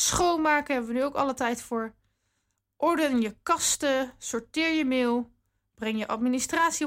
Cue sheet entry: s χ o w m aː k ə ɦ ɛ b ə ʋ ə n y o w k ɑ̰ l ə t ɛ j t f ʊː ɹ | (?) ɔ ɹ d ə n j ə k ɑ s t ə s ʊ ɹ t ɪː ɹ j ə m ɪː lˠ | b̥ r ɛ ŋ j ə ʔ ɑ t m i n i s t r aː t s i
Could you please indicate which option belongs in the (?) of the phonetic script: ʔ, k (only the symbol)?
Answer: ʔ